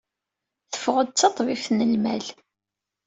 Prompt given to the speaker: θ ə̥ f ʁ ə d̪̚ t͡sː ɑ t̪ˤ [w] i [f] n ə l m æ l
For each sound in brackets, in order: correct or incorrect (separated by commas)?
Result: incorrect, correct